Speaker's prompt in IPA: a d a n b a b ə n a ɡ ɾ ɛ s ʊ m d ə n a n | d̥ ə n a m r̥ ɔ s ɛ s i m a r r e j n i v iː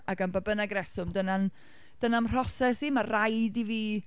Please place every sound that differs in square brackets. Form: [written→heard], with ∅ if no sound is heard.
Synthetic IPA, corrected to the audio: a [d→ɡ] a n b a b ə n a ɡ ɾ ɛ s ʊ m d ə n a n | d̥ ə n a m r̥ ɔ s ɛ s i m a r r [e→a] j [n→d] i v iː